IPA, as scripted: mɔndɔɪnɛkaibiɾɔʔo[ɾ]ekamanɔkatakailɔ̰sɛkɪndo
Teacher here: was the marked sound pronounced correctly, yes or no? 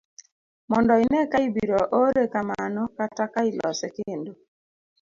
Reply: yes